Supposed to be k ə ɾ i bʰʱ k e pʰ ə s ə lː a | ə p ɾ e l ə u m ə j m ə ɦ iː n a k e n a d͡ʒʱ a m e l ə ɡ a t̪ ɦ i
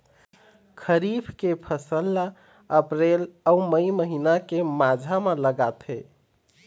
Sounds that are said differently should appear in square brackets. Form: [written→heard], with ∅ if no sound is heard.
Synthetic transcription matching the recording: [k→kʰ] ə ɾ i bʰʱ k e pʰ ə s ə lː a | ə p ɾ e l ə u m ə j m ə ɦ [iː→i] n a k e [n→m] a d͡ʒʱ a m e l ə ɡ a t̪ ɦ [i→e]